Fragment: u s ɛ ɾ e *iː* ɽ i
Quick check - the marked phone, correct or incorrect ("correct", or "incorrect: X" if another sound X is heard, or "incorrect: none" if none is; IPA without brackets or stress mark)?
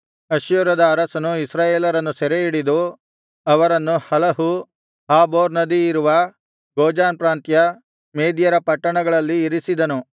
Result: incorrect: i